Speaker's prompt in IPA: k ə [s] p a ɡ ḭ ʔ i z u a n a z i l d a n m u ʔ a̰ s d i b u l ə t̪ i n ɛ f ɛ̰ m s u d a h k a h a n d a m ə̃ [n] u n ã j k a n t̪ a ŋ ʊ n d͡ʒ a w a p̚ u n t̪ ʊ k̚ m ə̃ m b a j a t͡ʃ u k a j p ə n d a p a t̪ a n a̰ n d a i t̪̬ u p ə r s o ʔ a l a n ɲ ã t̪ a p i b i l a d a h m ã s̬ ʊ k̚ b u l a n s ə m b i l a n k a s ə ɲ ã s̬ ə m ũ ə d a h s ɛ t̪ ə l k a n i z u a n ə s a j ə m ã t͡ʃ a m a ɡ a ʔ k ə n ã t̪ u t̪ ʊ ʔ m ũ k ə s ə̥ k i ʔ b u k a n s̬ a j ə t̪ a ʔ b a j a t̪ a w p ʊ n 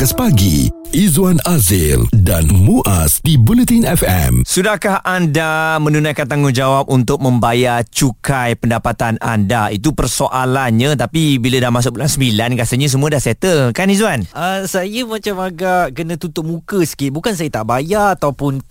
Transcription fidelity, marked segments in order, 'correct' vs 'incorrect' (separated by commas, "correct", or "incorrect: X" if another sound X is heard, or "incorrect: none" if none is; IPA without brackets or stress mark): correct, correct